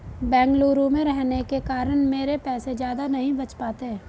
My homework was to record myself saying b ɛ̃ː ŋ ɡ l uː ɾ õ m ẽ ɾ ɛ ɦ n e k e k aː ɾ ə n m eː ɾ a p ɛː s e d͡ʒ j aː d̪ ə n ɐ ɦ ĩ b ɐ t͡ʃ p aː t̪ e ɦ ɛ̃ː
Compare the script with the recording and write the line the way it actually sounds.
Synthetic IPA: b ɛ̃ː ŋ ɡ l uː ɾ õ m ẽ ɾ ɛ ɦ n e k e k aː ɾ ə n m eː ɾ e p ɛː s e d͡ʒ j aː d̪ a n ɐ ɦ ĩ b ɐ t͡ʃ p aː t̪ e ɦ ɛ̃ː